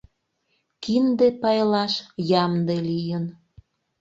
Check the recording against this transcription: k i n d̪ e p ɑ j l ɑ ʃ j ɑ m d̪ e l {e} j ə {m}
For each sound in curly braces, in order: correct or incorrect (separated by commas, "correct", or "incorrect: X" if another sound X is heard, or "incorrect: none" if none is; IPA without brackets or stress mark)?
incorrect: i, incorrect: n